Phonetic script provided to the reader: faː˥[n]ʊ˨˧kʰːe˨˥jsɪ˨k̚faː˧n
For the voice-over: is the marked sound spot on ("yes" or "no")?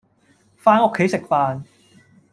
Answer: yes